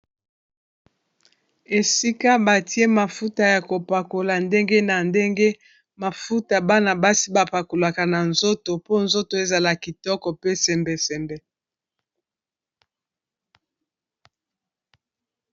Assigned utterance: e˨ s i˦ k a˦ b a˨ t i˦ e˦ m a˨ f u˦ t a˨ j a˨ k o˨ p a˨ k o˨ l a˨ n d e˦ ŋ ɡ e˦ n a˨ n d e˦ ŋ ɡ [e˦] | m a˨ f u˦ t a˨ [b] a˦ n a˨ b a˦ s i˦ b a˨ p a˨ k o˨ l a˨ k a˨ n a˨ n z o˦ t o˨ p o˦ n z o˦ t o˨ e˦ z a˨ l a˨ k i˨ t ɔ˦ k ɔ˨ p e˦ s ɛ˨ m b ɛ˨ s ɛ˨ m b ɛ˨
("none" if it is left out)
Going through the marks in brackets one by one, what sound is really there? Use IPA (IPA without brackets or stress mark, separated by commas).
e˦, b